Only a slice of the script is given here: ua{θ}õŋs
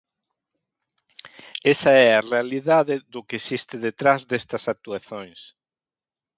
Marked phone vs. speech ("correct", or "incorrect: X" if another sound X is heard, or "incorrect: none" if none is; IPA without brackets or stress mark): correct